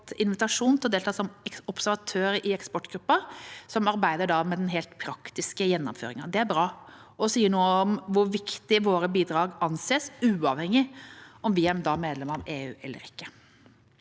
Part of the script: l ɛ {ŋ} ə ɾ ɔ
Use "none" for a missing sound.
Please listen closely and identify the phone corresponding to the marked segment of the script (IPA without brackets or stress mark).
m